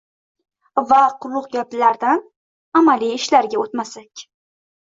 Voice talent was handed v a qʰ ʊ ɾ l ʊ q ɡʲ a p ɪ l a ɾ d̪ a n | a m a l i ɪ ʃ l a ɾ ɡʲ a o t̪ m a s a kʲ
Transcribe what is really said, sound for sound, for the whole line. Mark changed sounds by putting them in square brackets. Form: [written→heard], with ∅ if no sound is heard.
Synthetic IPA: v a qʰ ʊ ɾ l ʊ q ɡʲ a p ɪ l a ɾ d̪ a n | a m a l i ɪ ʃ l a ɾ ɡʲ a o t̪ m a s a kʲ